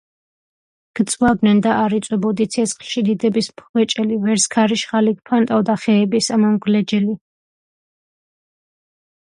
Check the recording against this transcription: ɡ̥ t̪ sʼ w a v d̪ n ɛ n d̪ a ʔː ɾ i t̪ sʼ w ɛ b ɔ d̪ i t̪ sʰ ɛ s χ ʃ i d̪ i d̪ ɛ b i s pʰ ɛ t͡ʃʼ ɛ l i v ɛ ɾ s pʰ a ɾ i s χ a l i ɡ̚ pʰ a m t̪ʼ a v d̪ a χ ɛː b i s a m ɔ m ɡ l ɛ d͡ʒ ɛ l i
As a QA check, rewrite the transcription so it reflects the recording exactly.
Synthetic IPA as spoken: ɡ̥ t̪ sʼ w a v d̪ n ɛ n d̪ a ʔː ɾ i t̪ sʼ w ɛ b ɔ d̪ i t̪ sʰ ɛ s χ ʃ i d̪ i d̪ ɛ b i s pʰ ɛ t͡ʃʼ ɛ l i v ɛ ɾ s kʰ a ɾ i ʃ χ a l i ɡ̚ pʰ a n t̪ʼ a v d̪ a χ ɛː b i s a m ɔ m ɡ l ɛ d͡ʒ ɛ l i